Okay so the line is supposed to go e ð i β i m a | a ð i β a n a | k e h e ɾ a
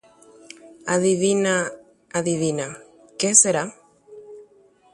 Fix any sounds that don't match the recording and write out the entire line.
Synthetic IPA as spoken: a ð i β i n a | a ð i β i n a | k e s e ɾ a